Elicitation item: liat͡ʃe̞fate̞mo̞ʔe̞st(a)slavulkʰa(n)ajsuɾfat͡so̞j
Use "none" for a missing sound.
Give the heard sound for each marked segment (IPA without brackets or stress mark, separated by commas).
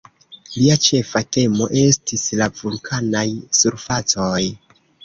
i, n